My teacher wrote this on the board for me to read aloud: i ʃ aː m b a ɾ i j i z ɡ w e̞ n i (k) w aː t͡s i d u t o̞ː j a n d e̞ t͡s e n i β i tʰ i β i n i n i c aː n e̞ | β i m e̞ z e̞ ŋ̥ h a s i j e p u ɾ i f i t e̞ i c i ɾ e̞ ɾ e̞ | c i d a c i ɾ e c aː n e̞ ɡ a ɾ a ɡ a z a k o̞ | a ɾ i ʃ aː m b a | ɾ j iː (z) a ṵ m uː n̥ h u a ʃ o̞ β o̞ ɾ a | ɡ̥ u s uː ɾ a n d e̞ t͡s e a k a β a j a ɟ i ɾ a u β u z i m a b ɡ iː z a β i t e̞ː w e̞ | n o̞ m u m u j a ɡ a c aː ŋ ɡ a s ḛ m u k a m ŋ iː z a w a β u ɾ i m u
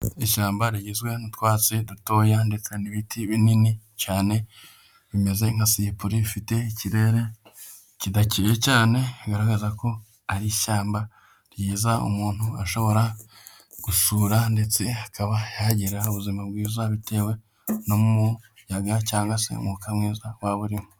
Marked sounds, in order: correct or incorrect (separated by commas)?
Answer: incorrect, correct